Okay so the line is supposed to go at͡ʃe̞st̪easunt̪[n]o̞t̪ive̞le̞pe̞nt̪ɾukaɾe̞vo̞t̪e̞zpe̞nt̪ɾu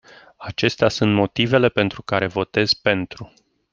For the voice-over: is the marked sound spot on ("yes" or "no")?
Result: no